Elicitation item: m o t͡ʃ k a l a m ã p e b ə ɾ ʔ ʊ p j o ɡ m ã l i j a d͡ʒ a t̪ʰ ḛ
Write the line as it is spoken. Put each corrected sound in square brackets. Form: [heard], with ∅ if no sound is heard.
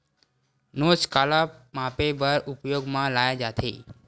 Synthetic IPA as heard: [n] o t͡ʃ k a l a m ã p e b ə ɾ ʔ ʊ p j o ɡ m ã l [a] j a d͡ʒ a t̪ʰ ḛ